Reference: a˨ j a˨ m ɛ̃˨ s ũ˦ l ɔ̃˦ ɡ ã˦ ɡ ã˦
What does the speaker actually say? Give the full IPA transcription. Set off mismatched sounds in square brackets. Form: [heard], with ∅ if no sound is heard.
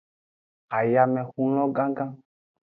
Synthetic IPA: a˨ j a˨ m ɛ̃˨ [x] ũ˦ l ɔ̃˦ ɡ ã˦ ɡ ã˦